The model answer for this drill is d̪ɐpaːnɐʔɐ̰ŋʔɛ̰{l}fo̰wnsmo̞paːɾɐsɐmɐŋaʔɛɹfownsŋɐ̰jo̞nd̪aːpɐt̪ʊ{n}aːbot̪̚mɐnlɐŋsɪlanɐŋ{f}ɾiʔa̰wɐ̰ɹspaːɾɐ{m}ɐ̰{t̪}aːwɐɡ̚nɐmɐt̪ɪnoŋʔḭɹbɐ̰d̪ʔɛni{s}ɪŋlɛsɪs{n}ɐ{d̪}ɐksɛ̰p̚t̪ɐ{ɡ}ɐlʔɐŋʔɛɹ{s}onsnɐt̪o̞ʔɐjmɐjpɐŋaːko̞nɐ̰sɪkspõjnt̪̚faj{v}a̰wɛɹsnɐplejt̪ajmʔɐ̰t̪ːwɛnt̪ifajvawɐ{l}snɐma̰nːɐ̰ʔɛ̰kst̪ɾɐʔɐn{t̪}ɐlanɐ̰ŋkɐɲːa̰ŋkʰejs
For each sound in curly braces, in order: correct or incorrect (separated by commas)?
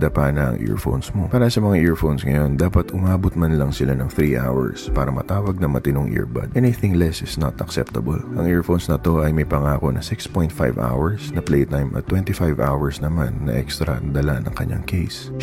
incorrect, incorrect, incorrect, correct, correct, incorrect, correct, incorrect, incorrect, incorrect, correct, incorrect, incorrect